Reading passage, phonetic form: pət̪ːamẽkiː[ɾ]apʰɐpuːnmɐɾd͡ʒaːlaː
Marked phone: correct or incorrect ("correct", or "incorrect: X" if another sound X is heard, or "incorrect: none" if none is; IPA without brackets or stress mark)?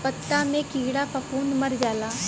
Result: incorrect: ɽ